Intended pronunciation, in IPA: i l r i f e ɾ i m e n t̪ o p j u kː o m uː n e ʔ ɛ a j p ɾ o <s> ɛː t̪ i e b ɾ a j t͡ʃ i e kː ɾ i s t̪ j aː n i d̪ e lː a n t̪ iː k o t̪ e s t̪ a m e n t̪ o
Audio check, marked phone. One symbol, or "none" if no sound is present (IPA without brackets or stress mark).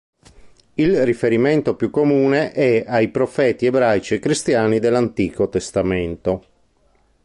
f